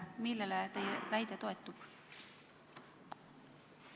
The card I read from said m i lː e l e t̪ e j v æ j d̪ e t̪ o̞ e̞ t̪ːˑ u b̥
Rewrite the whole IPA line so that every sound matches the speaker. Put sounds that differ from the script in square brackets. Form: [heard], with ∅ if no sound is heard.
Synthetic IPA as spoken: m i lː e l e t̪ e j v æ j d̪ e t̪ o̞ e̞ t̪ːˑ u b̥